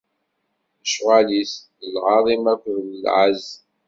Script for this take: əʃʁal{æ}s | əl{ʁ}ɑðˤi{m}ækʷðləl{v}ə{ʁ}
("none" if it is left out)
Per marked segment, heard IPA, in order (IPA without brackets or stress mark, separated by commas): i, ʁ, m, ʕ, z